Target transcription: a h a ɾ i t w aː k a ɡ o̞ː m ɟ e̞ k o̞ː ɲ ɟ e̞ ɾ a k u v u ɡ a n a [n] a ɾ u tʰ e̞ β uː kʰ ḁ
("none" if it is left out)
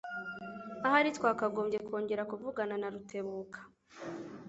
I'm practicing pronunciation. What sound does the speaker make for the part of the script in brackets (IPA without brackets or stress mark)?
n